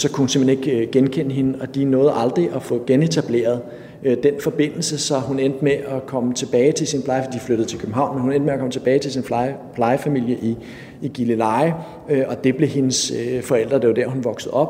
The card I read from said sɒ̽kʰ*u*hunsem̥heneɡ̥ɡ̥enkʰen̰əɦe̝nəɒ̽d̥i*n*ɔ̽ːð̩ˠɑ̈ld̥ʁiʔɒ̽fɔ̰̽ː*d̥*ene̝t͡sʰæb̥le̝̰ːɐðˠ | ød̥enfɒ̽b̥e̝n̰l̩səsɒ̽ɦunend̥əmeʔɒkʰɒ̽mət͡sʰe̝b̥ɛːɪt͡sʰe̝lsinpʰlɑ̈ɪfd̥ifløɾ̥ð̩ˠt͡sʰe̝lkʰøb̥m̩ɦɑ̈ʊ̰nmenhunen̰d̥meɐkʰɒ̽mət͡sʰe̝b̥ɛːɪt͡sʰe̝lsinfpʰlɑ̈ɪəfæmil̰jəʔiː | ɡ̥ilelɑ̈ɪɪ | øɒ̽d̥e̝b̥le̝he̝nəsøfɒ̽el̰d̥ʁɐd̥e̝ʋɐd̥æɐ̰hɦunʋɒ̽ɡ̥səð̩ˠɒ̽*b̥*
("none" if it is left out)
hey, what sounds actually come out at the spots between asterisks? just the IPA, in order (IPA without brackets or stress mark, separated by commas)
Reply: u, n, ɡ̥, b̥